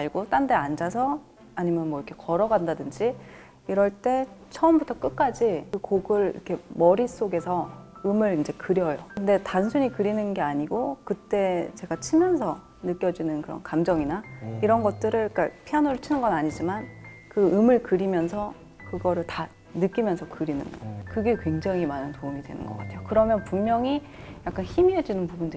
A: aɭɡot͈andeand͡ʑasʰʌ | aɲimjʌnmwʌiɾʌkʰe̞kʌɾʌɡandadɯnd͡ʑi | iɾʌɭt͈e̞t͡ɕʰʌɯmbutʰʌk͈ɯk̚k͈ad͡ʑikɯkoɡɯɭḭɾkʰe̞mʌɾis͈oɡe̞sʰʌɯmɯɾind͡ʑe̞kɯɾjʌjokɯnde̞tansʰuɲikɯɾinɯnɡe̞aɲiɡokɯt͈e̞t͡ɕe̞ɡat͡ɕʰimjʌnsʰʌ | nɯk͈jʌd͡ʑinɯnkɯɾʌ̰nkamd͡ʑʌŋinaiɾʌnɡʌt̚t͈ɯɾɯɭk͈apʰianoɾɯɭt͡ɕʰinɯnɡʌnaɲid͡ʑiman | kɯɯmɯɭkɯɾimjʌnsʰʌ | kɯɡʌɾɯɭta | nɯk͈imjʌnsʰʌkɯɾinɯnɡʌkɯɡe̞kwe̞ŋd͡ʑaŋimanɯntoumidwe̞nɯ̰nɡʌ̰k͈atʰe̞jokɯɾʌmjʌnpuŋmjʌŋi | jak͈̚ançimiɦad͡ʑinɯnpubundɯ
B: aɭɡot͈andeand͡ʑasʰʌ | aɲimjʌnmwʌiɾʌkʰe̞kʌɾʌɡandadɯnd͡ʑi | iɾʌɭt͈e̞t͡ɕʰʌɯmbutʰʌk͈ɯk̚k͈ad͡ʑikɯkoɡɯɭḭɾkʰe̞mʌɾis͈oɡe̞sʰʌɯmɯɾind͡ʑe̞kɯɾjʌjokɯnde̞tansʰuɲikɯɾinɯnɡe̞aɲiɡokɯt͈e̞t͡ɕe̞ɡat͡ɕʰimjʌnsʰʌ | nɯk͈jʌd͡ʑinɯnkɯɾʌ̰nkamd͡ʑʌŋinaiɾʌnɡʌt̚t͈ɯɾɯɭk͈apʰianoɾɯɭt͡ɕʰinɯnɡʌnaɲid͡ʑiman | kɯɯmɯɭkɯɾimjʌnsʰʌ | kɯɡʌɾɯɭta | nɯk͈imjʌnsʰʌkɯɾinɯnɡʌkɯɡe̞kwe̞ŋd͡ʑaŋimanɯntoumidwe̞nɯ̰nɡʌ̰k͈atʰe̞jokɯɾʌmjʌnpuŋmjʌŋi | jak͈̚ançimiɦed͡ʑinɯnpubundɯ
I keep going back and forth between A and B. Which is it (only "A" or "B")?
B